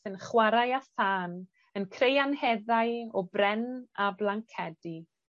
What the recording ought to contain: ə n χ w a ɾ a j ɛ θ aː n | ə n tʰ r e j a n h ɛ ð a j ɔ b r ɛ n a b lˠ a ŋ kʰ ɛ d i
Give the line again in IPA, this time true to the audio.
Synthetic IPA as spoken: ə n χ w a ɾ a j a θ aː n | ə n kʰ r e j a n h ɛ ð a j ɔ b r ɛ n a b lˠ a ŋ kʰ ɛ d i